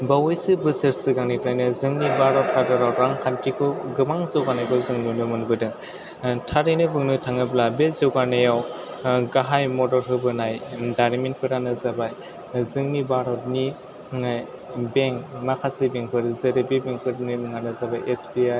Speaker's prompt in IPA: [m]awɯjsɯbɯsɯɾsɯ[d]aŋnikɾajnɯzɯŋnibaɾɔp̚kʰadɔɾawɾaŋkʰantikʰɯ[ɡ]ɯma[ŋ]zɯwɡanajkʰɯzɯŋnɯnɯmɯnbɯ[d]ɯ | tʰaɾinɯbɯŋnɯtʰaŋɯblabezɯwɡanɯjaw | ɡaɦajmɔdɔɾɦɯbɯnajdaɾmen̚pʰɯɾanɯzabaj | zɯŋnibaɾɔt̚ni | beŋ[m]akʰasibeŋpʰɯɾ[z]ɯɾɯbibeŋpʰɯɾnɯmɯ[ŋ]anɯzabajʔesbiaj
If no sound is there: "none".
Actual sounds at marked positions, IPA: b, ɡ, ɡ, ŋ, d, m, z, ŋ

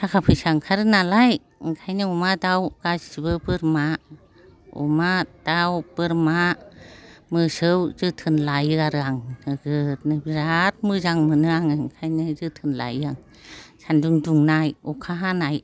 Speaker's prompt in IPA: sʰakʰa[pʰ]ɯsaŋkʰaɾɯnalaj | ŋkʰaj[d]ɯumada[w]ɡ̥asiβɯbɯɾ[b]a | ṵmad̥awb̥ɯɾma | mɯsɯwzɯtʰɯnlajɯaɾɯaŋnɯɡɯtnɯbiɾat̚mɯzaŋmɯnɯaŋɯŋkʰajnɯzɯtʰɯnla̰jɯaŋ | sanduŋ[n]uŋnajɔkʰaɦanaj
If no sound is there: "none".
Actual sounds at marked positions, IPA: pʰ, n, w, m, d

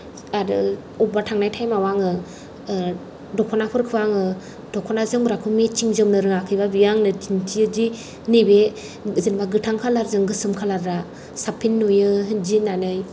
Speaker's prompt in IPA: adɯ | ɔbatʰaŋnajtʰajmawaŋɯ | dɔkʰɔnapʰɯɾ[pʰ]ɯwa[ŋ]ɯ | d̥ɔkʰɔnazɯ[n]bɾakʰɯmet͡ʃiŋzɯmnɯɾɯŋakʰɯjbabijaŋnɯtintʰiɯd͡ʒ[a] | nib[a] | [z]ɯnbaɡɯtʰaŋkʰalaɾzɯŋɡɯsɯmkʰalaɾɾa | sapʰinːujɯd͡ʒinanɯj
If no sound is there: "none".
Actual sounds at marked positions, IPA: kʰ, ŋ, ŋ, i, e, z

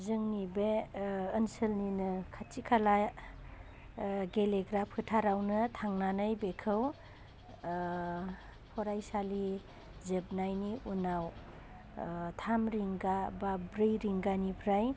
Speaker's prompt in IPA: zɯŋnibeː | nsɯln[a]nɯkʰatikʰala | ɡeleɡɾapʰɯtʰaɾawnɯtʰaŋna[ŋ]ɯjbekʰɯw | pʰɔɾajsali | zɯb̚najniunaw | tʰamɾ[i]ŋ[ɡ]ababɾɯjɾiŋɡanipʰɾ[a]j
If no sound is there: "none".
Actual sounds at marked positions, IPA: i, n, i, ɡ, a

